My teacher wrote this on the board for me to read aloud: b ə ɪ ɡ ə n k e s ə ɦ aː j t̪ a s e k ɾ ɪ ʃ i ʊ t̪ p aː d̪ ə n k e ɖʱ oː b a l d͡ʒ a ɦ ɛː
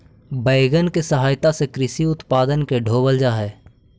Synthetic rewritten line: b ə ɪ ɡ ə n k e s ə ɦ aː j t̪ a s e k ɾ ɪ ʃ i ʊ t̪ p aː d̪ ə n k e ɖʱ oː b ə l d͡ʒ a ɦ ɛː

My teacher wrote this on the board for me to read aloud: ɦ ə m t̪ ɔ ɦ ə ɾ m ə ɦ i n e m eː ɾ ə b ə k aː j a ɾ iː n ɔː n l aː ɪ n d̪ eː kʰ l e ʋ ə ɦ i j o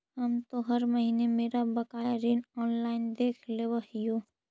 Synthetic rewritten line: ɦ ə m t̪ o ɦ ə ɾ m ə ɦ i n e m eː ɾ a b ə k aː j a ɾ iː n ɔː n l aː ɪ n d̪ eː kʰ l e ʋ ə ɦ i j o

